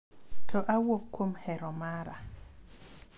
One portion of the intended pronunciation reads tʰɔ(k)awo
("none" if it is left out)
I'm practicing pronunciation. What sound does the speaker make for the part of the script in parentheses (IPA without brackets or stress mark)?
ʔ